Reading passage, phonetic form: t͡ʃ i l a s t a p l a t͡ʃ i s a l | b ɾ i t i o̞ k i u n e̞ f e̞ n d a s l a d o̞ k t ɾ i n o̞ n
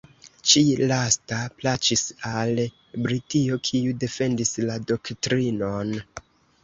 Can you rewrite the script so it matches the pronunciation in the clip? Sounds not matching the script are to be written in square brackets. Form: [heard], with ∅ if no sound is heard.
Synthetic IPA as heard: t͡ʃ i l a s t a p l a t͡ʃ i s a l | b ɾ i t i o̞ [kʰ] i u [d] e̞ f e̞ n d [i] s l a d o̞ k t ɾ i n o̞ n

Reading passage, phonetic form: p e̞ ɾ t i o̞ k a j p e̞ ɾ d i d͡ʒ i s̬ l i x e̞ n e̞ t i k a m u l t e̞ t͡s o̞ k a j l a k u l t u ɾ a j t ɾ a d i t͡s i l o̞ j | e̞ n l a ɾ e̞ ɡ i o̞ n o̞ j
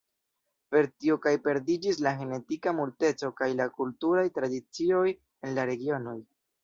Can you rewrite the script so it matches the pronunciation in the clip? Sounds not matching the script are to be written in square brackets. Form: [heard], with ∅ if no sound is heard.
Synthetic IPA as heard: p e̞ ɾ t i o̞ k a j p e̞ ɾ d i d͡ʒ i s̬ l [a] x e̞ n e̞ t i k a m u l t e̞ t͡s o̞ k a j l a k u l t u ɾ a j t ɾ a d i t͡s i [∅] o̞ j | e̞ n l a ɾ e̞ ɡ i o̞ n o̞ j

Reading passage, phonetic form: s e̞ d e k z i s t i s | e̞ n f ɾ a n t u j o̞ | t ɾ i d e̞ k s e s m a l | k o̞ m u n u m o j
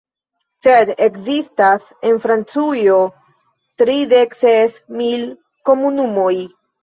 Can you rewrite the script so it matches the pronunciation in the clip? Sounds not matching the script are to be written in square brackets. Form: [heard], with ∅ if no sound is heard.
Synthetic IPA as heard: s e̞ d e k z i s t [a] s | e̞ n f ɾ a n [t͡s] u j o̞ | t ɾ i d e̞ k s e s m [i] l | k o̞ m u n u m o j

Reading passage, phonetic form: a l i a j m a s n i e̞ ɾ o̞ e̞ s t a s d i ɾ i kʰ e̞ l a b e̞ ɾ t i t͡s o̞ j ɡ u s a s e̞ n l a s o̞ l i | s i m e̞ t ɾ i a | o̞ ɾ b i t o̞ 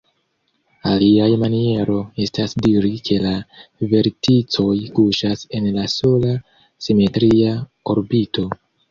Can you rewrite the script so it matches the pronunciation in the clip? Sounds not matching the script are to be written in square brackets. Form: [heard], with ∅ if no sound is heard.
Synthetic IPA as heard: a l i a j m a [∅] n i e̞ ɾ o̞ e̞ s t a s d i ɾ i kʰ e̞ l a [v] e̞ ɾ t i t͡s o̞ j [k] u [ʃ] a s e̞ n l a s o̞ l [a] | s i m e̞ t ɾ i a | o̞ ɾ b i t o̞

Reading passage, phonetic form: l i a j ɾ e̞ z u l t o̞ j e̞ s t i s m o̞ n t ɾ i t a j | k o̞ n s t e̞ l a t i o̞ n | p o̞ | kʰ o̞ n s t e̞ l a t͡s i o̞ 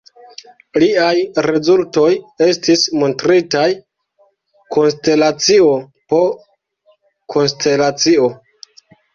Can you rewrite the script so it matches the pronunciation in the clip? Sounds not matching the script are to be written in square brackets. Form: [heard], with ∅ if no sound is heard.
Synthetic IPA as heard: l i a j ɾ e̞ z u l t o̞ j e̞ s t i s m o̞ n t ɾ i t a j | k o̞ n s t e̞ l a [t͡s] i o̞ [∅] | p o̞ | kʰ o̞ n s t e̞ l a t͡s i o̞

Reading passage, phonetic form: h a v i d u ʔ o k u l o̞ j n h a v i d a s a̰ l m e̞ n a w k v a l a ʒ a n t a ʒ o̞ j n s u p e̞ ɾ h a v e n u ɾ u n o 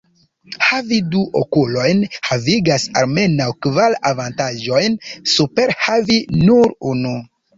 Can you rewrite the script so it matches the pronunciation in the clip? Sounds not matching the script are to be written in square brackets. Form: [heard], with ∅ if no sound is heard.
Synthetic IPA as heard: h a v i d u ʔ o k u l o̞ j n h a v i [ɡ] a s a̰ l m e̞ n a w k v a l a [v] a n t a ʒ o̞ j n s u p e̞ ɾ h a v [i] n u ɾ u n [u]

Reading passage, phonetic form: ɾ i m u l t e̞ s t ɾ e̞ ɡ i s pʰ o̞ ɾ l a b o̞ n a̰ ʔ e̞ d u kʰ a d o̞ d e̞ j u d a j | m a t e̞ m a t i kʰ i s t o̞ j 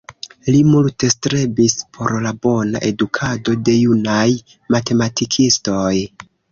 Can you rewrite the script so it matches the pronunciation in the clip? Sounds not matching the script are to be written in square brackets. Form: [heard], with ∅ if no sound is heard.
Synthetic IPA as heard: [l] i m u l t e̞ s t ɾ e̞ [b] i s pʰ o̞ ɾ l a b o̞ n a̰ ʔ e̞ d u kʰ a d o̞ d e̞ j u [n] a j | m a t e̞ m a t i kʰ i s t o̞ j

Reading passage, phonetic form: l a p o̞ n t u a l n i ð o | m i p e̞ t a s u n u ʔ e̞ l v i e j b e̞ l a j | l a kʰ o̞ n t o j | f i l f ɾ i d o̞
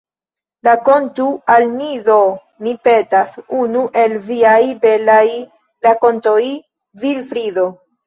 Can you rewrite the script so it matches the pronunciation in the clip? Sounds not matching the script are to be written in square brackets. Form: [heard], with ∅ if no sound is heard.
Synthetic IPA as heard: l a [k] o̞ n t u a l n i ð o | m i p e̞ t a s u n u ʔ e̞ l v i [a] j b e̞ l a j | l a [k] o̞ n t o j | [v] i l f ɾ i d o̞

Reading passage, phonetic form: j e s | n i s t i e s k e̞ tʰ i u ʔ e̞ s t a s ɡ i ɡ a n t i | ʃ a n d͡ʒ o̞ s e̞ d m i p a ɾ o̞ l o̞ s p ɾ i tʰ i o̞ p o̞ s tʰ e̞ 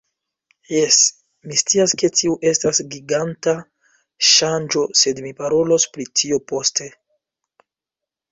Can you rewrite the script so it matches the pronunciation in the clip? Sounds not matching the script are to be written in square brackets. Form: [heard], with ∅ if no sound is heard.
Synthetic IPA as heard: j e s | [m] i s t i [a] s k e̞ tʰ i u ʔ e̞ s t a s ɡ i ɡ a n t [a] | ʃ a n d͡ʒ o̞ s e̞ d m i p a ɾ o̞ l o̞ s p ɾ i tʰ i o̞ p o̞ s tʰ e̞

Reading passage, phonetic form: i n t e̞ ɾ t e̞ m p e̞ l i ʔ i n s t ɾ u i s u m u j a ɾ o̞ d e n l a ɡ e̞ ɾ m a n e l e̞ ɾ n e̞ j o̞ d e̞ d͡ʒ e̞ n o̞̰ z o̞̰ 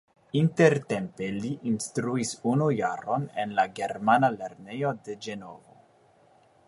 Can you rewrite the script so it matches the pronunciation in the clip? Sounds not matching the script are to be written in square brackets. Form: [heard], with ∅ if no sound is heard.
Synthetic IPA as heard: i n t e̞ ɾ t e̞ m p e̞ l i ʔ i n s t ɾ u i s u [n] u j a ɾ o̞ [n] e n l a ɡ e̞ ɾ m a n [a] l e̞ ɾ n e̞ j o̞ d e̞ d͡ʒ e̞ n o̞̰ [v] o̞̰

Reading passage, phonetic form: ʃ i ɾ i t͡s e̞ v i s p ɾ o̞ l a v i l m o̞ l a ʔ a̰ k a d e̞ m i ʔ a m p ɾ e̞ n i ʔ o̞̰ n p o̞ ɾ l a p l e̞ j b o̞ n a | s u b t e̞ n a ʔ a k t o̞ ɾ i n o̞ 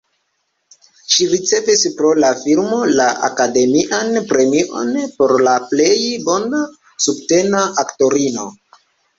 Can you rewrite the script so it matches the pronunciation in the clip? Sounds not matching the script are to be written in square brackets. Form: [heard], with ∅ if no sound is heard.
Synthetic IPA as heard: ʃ i ɾ i t͡s e̞ v i s p ɾ o̞ l a [f] i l m o̞ l a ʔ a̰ k a d e̞ m i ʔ a [n] p ɾ e̞ [m] i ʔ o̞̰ n p o̞ ɾ l a p l e̞ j b o̞ n a | s u b t e̞ n a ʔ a k t o̞ ɾ i n o̞

